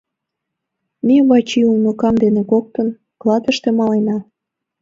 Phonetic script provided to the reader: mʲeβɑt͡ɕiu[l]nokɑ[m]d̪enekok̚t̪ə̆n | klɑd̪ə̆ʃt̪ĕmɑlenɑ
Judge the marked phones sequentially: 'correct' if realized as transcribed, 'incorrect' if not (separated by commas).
correct, correct